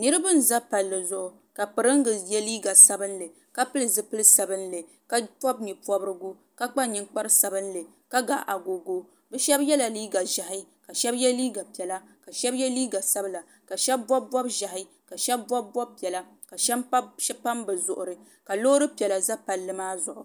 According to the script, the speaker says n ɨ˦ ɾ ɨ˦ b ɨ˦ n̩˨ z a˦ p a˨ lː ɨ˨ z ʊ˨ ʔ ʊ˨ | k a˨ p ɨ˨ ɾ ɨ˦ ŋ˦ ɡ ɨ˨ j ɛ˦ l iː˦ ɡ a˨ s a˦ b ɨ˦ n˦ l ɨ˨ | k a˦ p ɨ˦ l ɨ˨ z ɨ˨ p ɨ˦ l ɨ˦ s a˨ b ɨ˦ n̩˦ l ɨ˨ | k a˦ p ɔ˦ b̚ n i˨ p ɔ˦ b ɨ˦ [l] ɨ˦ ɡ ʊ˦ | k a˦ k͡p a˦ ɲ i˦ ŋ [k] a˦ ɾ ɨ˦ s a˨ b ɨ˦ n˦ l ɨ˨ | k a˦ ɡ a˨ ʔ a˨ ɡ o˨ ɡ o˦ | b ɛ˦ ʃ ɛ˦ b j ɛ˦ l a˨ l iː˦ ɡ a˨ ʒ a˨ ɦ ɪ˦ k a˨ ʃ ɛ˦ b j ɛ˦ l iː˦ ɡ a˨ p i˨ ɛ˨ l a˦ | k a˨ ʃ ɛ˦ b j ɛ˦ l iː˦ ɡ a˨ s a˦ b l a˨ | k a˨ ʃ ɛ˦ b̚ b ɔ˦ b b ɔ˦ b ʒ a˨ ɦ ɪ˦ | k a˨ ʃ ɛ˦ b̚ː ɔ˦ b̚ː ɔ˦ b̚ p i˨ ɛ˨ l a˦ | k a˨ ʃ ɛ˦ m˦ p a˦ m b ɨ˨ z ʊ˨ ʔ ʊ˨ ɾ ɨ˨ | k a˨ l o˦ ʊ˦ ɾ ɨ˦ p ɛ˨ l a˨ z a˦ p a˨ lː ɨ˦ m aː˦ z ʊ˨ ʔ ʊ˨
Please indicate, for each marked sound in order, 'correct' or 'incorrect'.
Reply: incorrect, incorrect

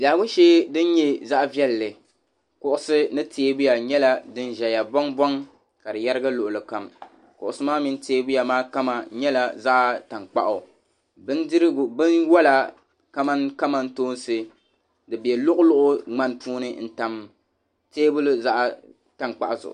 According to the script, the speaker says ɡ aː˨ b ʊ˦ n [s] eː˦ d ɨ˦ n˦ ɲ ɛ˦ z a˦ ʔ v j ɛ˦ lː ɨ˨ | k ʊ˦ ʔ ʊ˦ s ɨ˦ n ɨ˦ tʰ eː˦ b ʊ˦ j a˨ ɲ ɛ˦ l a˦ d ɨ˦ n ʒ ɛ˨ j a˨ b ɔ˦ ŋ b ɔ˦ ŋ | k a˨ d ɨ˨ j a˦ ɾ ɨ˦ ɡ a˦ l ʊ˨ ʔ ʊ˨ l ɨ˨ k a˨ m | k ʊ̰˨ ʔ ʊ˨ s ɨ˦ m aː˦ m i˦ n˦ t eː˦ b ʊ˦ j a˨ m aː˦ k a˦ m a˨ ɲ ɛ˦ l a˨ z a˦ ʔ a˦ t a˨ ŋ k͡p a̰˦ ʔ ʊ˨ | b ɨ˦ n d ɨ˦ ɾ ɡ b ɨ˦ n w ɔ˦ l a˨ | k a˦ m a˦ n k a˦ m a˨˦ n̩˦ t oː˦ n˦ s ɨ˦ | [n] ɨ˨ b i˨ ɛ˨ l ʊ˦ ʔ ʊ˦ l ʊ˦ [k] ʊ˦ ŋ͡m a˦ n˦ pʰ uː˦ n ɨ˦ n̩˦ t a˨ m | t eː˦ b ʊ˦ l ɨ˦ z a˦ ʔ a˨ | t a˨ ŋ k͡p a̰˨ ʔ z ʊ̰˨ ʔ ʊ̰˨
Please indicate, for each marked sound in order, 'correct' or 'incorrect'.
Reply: incorrect, incorrect, incorrect

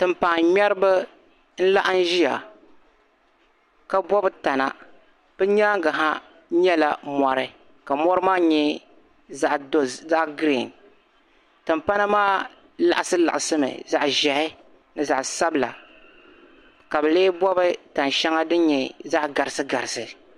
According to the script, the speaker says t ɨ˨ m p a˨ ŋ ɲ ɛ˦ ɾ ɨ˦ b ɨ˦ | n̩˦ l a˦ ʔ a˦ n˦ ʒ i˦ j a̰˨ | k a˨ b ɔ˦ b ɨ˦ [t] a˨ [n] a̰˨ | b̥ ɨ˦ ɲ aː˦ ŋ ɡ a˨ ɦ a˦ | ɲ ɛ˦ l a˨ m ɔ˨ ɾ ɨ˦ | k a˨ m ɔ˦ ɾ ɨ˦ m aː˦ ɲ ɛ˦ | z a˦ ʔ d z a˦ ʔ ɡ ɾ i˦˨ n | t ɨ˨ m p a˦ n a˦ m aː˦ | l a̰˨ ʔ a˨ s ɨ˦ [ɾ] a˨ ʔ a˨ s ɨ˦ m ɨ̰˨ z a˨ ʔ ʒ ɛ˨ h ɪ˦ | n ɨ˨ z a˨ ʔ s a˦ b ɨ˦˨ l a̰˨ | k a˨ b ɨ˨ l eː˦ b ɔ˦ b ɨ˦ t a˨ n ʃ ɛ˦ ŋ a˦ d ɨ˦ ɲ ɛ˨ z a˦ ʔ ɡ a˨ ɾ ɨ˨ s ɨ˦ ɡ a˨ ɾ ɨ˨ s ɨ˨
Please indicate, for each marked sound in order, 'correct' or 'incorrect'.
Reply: correct, correct, incorrect

